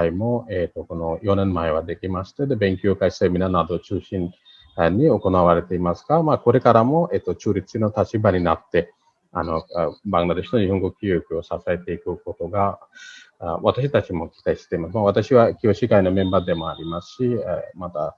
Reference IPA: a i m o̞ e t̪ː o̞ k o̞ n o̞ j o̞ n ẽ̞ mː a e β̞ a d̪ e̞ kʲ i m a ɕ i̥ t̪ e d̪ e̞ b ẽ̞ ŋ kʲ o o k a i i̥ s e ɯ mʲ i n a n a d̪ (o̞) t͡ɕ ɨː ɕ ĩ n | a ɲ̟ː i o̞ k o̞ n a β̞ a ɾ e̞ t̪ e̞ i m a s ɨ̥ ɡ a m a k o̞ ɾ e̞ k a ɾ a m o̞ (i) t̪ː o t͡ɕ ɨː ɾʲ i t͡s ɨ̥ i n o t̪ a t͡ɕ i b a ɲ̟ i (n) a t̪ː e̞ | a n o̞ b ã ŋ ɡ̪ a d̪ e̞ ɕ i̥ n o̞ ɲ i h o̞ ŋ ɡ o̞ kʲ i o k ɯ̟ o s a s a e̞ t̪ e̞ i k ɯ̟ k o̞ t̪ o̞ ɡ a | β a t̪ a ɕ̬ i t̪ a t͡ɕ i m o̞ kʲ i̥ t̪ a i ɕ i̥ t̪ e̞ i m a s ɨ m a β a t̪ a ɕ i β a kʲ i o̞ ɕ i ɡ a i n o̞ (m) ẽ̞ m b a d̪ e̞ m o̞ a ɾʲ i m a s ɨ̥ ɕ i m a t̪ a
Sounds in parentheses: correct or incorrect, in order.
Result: correct, incorrect: e, correct, correct

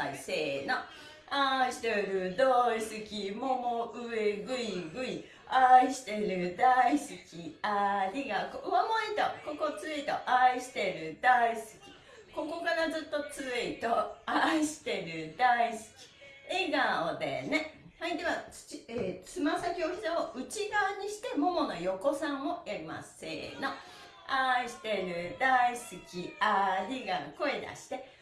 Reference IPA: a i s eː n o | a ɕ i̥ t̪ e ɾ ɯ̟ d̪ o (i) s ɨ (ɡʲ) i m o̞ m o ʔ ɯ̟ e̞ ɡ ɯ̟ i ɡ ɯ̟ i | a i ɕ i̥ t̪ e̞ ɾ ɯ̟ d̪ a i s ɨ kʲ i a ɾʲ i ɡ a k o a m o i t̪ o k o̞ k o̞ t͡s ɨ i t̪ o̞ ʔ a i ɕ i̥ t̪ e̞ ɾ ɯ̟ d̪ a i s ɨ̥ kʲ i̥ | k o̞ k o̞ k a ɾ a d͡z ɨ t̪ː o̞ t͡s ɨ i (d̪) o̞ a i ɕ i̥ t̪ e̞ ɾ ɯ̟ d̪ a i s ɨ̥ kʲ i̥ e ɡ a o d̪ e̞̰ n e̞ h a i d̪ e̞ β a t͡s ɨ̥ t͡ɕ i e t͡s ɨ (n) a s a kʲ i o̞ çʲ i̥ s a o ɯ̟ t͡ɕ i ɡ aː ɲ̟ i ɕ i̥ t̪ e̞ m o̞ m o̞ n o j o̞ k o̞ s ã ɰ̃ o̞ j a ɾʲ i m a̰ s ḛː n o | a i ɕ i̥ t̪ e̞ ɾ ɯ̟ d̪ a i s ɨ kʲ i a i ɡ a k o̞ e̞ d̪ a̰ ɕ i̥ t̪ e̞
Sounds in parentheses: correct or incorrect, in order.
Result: correct, incorrect: kʲ, incorrect: t̪, incorrect: m

